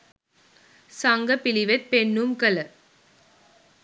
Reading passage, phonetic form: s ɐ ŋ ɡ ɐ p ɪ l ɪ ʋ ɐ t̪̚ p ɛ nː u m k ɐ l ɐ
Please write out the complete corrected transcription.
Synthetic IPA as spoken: s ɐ ŋ ɡ ɐ p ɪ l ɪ ʋ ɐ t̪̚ p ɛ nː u m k ɐ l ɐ